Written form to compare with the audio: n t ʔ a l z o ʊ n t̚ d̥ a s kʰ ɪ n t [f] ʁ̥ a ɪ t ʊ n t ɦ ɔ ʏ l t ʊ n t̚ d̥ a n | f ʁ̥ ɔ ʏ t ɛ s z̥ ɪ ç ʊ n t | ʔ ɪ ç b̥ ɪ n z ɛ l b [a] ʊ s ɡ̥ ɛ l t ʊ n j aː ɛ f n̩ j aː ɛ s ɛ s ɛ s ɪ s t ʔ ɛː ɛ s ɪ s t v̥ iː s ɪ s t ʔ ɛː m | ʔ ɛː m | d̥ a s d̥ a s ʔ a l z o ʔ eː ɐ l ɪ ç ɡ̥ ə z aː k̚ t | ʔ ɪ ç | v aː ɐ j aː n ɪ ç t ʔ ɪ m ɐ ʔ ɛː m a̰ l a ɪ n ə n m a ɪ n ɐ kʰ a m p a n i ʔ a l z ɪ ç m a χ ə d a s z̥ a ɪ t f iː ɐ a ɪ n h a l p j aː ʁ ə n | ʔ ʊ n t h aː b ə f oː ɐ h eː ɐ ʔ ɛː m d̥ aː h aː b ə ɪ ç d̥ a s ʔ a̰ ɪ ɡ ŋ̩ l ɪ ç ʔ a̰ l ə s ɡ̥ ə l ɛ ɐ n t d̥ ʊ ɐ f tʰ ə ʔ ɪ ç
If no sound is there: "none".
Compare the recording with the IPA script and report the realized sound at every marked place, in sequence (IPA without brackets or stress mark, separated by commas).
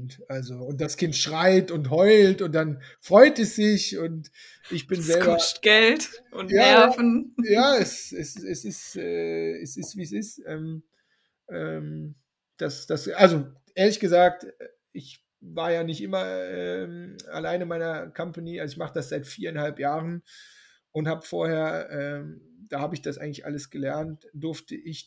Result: ʃ, ɐ